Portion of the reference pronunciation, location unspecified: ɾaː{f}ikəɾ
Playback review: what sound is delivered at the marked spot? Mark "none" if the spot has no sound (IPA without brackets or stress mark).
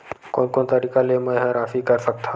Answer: f